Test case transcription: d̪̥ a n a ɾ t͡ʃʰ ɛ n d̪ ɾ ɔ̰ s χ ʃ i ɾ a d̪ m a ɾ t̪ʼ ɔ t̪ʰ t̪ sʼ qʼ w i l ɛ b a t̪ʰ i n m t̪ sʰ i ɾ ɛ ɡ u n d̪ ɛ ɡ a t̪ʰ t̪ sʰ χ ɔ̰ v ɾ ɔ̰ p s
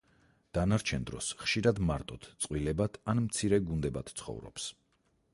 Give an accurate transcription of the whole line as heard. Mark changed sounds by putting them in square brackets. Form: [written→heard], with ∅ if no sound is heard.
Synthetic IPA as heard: d̪̥ a n a ɾ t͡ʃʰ ɛ n d̪ ɾ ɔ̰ s χ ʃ i ɾ a d̪ m a ɾ t̪ʼ ɔ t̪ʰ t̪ sʼ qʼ w i l ɛ b a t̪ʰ [i→a] n m t̪ sʰ i ɾ ɛ ɡ u n d̪ ɛ [ɡ→b] a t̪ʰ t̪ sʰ χ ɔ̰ v ɾ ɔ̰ p s